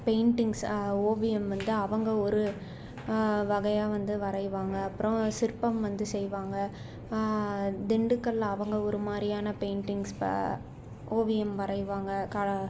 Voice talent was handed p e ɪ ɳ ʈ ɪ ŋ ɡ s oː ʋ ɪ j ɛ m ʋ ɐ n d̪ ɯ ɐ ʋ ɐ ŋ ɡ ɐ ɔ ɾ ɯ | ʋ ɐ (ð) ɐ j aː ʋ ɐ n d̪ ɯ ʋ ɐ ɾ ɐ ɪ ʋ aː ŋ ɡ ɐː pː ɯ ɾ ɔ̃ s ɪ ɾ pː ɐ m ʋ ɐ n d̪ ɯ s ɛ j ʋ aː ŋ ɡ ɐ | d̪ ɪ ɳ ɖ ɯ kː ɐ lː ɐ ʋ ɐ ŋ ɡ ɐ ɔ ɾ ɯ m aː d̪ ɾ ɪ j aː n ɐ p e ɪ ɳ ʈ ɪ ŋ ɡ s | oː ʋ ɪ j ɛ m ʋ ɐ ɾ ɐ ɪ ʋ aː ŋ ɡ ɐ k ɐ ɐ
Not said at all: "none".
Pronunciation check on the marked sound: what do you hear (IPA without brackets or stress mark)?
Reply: ɣ